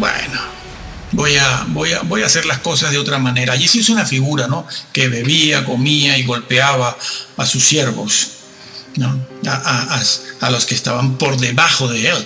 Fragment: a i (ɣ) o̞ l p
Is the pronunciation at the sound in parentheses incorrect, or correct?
correct